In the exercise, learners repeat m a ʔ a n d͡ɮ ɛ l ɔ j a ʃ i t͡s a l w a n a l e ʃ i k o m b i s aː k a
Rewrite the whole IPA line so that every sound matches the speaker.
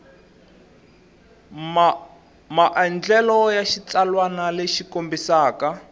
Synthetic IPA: m a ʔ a n d͡ɮ ɛ l ɔ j a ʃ i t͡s a l w a n a l e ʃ i k o m b i s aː k a